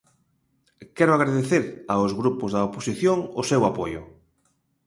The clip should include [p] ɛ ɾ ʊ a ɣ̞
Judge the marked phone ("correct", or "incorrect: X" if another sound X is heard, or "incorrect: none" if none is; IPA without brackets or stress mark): incorrect: k